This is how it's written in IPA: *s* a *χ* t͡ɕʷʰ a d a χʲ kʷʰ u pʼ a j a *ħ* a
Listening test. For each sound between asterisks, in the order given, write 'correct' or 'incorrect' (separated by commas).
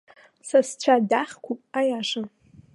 correct, incorrect, incorrect